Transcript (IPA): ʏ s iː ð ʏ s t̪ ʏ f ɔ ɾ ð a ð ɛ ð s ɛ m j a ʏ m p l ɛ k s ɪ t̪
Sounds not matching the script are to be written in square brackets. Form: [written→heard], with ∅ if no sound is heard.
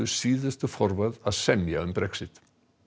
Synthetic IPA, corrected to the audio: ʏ s iː ð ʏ s t̪ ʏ f ɔ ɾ [ð→v] a ð [ɛ→a] ð s ɛ m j a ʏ m p [l→ɾ] ɛ k s ɪ t̪